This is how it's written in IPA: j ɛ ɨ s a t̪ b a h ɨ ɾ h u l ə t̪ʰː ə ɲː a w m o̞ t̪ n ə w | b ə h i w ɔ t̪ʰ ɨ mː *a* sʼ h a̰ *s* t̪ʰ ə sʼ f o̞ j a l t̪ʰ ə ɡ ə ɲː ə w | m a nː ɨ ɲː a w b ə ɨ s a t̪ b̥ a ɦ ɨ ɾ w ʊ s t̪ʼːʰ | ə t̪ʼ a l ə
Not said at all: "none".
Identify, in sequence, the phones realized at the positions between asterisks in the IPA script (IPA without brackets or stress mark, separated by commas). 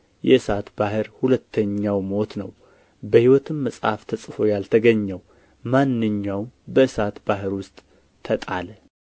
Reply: ə, f